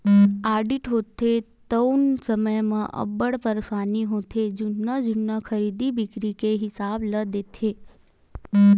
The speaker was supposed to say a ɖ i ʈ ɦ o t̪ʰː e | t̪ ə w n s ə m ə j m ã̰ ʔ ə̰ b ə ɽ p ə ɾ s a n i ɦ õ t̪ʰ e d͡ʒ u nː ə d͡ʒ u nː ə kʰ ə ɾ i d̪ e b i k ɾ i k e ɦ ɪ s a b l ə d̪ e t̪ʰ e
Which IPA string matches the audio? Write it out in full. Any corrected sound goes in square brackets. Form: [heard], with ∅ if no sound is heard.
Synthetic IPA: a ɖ i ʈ ɦ o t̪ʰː e | t̪ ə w n s ə m ə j m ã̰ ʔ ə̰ b ə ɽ p ə ɾ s a n i ɦ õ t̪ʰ e d͡ʒ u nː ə d͡ʒ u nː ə kʰ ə ɾ i d̪ [i] b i k ɾ i k e ɦ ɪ s a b l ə d̪ e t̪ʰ e